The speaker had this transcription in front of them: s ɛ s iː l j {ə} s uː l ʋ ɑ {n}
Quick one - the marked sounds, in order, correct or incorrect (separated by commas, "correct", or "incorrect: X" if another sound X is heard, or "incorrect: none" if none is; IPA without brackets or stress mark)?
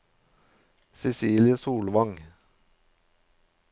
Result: correct, incorrect: ŋ